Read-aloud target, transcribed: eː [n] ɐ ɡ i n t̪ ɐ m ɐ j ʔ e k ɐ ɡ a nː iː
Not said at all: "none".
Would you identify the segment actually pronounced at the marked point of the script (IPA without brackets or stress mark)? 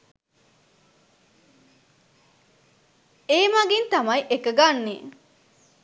m